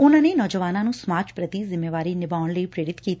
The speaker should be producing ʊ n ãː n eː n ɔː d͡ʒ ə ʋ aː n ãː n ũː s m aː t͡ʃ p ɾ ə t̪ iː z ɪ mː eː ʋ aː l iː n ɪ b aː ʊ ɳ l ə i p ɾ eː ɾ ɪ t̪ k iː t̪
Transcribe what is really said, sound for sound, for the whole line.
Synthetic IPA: ʊ n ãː n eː n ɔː d͡ʒ ə ʋ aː n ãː n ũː s m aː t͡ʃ p ɾ ə t̪ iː z ɪ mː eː ʋ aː ɾ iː n ɪ b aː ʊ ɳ l ə i p ɾ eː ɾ ɪ t̪ k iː t̪